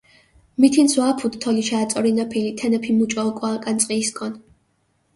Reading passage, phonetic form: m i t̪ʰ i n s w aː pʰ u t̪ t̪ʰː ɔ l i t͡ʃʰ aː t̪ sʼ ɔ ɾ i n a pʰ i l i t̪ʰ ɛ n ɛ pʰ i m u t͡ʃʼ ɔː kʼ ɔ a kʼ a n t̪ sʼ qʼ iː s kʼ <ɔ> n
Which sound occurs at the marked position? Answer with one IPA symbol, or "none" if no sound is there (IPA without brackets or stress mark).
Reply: ɔ